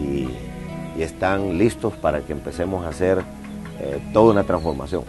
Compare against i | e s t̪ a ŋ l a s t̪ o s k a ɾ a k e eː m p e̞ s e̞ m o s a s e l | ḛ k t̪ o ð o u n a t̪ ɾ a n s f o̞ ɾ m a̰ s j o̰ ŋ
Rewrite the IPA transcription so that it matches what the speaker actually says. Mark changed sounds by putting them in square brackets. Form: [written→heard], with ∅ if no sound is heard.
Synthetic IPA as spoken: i | e s t̪ a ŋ l [a→i] s t̪ o s [k→p] a ɾ a k e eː m p e̞ s e̞ m o s a s e [l→ɾ] | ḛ [k→∅] t̪ o ð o u n a t̪ ɾ a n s f o̞ ɾ m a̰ s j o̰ ŋ